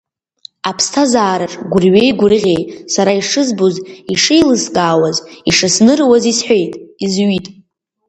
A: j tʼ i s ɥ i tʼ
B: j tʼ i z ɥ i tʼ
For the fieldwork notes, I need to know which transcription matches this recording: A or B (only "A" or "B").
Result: B